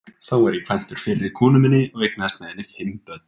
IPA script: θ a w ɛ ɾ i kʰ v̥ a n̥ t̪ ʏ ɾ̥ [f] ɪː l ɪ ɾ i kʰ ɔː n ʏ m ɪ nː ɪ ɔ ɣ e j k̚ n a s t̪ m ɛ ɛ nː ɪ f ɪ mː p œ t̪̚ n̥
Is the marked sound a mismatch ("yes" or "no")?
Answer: no